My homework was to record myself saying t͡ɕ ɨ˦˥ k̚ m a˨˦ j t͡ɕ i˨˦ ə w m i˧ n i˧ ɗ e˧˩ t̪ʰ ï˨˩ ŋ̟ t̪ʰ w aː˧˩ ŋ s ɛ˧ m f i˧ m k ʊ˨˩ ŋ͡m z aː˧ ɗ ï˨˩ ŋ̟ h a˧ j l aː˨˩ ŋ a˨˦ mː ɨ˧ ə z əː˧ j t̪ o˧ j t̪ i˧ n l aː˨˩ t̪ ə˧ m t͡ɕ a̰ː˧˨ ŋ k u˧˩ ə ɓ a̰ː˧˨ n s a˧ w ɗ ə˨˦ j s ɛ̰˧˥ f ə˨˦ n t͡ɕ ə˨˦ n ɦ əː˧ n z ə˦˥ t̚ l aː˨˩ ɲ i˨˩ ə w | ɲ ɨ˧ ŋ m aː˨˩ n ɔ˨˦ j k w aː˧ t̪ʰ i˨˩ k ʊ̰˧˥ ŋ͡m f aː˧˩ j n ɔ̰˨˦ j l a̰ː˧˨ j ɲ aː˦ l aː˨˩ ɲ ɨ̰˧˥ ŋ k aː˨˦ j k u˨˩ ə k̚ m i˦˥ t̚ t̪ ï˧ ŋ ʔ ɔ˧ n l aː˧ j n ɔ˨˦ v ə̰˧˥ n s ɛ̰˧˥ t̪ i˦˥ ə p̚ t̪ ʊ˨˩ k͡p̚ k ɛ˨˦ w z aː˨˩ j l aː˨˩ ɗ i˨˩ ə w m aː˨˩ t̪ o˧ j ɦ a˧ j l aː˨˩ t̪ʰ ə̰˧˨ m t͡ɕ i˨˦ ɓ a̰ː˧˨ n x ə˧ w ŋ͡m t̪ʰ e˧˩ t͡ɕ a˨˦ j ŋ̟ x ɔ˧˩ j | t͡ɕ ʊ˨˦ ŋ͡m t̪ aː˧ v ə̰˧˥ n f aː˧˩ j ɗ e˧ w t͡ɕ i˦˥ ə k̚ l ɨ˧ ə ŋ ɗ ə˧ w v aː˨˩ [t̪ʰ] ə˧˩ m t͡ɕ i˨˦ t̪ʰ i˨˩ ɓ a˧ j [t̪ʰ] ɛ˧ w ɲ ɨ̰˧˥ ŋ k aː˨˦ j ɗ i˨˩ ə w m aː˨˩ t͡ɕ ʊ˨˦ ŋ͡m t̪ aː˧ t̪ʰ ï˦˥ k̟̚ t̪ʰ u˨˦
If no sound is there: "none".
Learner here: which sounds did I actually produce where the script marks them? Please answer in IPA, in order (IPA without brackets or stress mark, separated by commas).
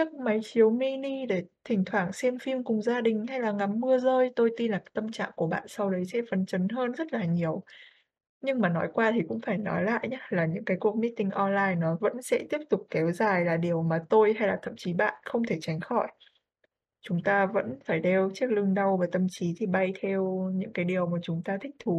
t̪, t̪ʰ